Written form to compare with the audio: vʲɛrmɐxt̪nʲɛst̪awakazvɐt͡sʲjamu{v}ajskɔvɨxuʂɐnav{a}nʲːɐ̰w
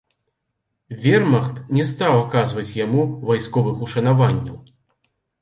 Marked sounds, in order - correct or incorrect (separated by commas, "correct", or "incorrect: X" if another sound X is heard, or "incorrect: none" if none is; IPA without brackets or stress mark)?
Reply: correct, correct